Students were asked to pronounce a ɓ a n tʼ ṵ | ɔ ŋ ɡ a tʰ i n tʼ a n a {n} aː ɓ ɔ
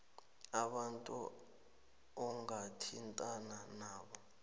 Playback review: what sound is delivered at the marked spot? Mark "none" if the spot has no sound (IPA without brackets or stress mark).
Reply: n